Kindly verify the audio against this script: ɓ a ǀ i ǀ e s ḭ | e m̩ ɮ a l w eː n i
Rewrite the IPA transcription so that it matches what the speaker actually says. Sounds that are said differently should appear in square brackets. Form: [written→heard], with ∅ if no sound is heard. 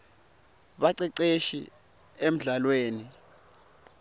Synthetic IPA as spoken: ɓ a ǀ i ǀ e [s→ʃ] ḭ | e m̩ ɮ a l w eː n i